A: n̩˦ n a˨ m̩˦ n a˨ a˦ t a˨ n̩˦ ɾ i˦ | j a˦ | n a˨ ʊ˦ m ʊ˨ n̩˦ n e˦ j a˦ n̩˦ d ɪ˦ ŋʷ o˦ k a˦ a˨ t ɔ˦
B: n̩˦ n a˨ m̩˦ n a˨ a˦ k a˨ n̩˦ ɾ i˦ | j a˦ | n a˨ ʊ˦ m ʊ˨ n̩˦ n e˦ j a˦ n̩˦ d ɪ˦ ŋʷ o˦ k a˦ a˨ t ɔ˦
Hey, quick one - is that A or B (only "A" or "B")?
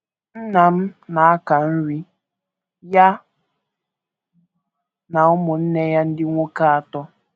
B